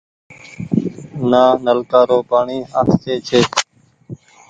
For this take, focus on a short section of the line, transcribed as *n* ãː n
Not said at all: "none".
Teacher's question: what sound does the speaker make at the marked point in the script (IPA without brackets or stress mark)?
n